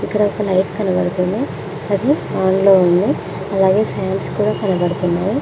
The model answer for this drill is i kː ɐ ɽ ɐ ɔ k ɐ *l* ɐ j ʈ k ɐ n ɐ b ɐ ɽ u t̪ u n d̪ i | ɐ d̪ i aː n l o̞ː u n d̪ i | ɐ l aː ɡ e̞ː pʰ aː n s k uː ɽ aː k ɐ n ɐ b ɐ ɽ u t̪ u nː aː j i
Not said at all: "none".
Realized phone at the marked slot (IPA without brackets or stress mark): l